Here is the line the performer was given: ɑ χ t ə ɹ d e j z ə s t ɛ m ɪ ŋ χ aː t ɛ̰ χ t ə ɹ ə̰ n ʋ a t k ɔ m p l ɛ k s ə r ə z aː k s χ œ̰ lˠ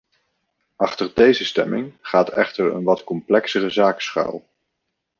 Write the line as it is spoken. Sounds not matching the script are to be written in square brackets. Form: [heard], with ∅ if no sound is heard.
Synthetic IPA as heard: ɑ χ t ə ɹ d e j z ə s t ɛ m ɪ ŋ χ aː t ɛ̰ χ t ə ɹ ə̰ n ʋ [ɑ] t k ɔ m p l ɛ k s ə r ə z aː k s χ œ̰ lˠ